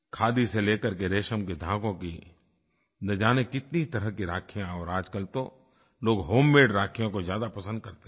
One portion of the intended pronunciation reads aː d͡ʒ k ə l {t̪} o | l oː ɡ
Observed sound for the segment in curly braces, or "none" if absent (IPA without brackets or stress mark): t̪